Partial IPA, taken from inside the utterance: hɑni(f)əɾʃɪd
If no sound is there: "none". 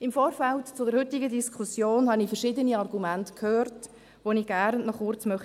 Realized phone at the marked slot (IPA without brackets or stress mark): f